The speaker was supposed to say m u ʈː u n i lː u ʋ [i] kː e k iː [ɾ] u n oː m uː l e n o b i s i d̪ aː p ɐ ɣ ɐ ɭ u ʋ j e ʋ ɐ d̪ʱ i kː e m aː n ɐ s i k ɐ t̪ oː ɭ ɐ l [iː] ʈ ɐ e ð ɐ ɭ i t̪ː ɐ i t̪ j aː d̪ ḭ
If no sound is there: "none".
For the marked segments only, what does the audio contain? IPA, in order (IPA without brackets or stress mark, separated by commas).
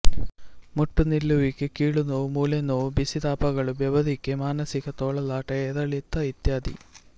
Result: i, ɭ, aː